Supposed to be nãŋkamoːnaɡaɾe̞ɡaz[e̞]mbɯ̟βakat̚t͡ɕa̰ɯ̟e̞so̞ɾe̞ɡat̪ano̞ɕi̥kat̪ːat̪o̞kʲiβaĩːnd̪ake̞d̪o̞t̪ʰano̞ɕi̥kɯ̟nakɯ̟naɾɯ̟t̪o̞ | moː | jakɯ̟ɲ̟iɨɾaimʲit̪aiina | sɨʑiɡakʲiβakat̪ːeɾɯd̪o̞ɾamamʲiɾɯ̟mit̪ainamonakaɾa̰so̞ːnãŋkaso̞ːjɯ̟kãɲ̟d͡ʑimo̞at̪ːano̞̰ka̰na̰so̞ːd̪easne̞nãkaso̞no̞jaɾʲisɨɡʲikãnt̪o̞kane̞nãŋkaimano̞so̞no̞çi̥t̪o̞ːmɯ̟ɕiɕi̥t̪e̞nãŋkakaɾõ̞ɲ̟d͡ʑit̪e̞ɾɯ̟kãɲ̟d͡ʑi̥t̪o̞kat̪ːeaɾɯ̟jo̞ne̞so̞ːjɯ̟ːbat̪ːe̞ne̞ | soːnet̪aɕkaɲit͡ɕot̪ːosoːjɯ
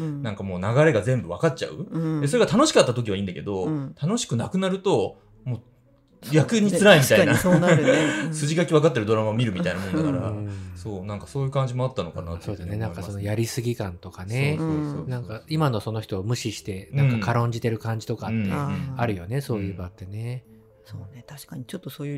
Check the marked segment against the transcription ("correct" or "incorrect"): incorrect